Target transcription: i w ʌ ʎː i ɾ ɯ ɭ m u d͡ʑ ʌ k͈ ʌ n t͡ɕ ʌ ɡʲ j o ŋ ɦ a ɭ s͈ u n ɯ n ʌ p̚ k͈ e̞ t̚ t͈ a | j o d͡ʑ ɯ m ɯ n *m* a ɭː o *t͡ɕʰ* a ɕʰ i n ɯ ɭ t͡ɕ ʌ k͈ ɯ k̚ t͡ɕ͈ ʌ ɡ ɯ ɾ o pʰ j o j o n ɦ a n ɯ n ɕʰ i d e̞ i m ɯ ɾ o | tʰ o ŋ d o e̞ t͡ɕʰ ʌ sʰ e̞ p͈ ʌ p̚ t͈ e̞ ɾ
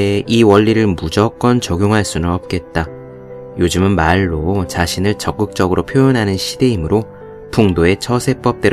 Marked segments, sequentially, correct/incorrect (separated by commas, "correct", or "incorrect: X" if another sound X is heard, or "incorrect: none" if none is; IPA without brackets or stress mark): correct, incorrect: t͡ɕ